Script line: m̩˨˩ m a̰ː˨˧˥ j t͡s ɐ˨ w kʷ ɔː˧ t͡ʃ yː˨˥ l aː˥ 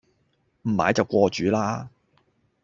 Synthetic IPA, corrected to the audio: m̩˨˩ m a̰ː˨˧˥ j t͡s ɐ˨ w kʷ ɔː˧ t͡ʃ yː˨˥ l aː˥